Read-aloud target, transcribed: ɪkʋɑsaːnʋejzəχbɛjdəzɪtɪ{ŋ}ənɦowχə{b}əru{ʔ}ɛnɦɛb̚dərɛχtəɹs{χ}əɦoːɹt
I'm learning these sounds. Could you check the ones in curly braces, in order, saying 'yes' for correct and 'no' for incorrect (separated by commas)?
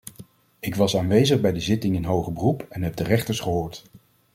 yes, yes, no, yes